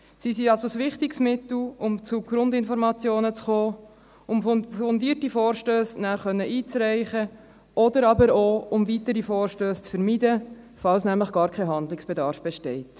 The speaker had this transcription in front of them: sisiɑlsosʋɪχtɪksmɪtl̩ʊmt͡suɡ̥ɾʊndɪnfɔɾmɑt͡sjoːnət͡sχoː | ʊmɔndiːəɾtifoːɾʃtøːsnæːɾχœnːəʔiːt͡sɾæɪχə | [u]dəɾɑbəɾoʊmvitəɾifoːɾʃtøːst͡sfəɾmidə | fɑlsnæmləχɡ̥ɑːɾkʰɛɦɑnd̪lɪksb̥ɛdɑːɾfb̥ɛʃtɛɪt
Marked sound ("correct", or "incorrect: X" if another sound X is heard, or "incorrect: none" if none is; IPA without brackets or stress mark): incorrect: ɔ